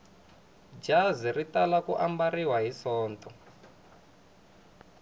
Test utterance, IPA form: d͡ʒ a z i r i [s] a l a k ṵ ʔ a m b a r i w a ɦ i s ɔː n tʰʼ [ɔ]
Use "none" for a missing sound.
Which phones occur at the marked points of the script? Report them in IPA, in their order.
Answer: t, ɔ

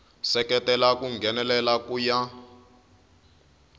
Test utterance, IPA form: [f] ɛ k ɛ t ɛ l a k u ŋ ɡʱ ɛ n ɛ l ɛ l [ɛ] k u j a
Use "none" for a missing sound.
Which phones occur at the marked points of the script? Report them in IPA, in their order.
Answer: s, a

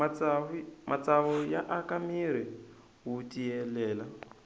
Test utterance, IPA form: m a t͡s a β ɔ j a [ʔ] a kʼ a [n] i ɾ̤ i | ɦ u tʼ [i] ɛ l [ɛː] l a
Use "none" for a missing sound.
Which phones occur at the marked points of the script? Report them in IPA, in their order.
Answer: ʔ, m, i, ɛː

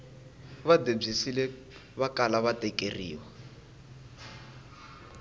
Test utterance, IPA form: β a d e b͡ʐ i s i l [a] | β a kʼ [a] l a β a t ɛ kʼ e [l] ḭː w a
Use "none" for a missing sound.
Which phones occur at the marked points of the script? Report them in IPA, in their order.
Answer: ɛ, a, r

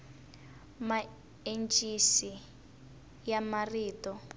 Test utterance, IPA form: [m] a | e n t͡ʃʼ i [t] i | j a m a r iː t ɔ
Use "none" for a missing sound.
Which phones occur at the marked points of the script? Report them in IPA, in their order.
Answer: m, s

